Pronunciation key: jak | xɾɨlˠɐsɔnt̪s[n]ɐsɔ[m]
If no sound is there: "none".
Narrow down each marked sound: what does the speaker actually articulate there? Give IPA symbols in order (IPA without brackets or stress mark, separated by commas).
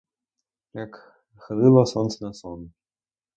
n, n